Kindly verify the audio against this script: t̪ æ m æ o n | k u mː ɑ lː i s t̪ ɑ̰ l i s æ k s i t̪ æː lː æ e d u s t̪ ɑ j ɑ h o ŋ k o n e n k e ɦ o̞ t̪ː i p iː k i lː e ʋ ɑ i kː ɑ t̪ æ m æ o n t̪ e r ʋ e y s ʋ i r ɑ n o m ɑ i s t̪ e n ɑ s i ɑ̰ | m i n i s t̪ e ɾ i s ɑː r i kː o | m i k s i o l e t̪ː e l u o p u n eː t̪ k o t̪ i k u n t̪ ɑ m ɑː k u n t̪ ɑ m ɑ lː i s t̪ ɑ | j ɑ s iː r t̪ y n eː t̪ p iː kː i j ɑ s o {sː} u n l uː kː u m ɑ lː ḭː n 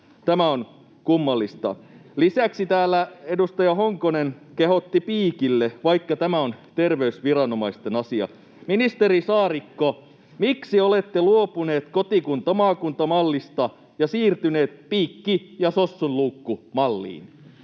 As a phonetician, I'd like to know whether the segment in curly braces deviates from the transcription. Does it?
no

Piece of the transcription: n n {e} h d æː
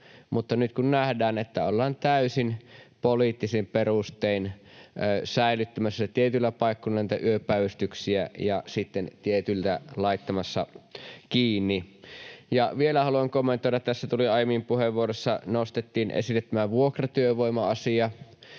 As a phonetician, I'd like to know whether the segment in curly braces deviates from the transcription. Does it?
yes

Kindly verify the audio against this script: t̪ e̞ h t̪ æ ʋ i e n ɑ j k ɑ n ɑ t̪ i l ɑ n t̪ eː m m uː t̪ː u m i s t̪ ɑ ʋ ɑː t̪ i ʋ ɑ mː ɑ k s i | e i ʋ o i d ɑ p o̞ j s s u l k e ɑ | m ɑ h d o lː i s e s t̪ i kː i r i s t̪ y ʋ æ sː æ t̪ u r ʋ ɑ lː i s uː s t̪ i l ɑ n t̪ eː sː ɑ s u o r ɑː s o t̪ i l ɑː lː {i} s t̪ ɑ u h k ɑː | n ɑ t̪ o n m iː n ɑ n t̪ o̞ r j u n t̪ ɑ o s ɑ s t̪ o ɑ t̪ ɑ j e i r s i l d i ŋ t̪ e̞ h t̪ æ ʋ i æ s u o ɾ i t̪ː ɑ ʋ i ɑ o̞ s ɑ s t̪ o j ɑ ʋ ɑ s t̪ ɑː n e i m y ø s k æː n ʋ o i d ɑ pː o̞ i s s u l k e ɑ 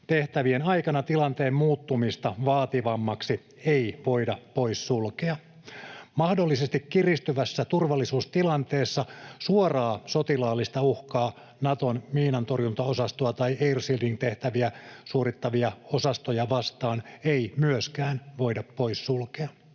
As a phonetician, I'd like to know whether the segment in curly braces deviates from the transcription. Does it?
no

